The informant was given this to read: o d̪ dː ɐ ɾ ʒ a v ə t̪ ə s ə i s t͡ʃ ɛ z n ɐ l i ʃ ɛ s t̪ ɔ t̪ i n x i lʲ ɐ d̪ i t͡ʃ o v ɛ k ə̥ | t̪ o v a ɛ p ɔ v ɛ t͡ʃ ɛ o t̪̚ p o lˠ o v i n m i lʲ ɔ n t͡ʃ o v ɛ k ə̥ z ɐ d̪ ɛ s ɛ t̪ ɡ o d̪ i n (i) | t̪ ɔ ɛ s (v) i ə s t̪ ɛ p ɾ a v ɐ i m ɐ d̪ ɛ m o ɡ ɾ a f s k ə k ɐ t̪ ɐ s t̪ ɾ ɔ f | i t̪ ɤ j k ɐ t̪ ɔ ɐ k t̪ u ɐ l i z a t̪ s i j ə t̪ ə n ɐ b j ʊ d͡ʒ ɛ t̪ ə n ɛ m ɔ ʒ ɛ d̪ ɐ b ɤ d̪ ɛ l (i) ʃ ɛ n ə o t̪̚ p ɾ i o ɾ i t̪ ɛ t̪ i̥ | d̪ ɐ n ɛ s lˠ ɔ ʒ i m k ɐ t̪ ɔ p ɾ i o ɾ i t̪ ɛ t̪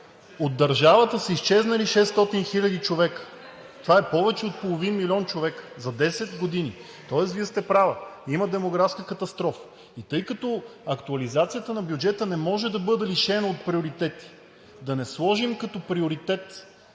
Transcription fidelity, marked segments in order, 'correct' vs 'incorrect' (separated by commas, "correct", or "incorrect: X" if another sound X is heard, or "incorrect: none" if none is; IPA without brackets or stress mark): correct, correct, correct